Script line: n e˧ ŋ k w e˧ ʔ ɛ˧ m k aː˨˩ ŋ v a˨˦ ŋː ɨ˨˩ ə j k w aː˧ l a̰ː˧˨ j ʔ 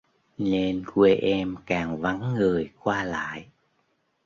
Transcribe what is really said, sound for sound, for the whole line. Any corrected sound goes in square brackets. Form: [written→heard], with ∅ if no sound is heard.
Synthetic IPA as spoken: n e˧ [ŋ→n] k w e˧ ʔ ɛ˧ m k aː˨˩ ŋ v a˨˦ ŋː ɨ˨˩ ə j k w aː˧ l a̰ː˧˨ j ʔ